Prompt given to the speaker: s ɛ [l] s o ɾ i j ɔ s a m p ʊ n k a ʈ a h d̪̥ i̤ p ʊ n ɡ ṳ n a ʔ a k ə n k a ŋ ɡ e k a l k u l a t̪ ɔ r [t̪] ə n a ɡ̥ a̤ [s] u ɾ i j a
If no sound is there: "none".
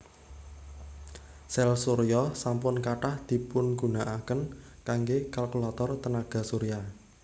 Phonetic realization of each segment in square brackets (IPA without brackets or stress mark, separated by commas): l, t̪, s